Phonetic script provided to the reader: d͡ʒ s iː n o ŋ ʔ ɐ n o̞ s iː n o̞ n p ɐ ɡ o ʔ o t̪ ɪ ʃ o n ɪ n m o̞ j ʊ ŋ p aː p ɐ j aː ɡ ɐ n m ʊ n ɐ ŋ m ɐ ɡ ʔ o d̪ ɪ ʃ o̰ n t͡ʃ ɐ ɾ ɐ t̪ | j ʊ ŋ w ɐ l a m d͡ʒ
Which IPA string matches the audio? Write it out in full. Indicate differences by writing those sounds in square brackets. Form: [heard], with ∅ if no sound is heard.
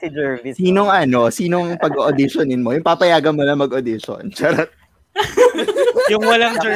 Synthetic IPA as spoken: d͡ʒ s iː n o ŋ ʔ ɐ n o̞ s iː n o̞ [ŋ] p ɐ ɡ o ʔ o [d̪] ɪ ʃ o n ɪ n m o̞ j ʊ ŋ p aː p ɐ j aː ɡ ɐ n m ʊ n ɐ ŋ m ɐ ɡ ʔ o d̪ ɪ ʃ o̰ n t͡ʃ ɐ ɾ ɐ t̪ | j ʊ ŋ w ɐ l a [ŋ] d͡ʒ